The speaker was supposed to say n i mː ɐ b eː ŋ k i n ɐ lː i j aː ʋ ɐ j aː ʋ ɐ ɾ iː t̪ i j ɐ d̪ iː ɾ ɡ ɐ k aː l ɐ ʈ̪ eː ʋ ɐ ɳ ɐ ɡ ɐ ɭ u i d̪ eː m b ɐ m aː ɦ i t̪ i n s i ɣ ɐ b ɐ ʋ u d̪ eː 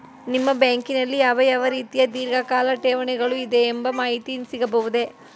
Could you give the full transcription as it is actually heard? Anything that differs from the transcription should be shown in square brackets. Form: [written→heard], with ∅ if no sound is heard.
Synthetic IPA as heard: n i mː ɐ b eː ŋ k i n ɐ lː i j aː ʋ ɐ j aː ʋ ɐ ɾ iː t̪ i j ɐ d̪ iː ɾ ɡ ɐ k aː l ɐ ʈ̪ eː ʋ ɐ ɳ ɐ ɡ ɐ ɭ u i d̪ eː m b ɐ m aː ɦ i t̪ i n s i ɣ ɐ b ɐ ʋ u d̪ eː